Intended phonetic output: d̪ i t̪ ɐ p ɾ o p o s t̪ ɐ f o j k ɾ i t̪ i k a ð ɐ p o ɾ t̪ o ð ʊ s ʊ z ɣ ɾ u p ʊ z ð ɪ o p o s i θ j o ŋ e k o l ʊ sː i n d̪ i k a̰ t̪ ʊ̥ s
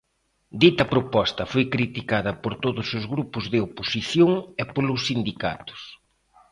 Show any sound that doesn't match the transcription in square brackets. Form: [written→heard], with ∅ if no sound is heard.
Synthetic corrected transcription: d̪ i t̪ ɐ p ɾ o p [o→ɔ] s t̪ ɐ f o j k ɾ i t̪ i k a ð ɐ p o ɾ t̪ o ð ʊ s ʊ z ɣ ɾ u p ʊ z ð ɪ o p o s i θ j o ŋ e [k→p] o l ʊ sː i n d̪ i k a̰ t̪ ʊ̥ s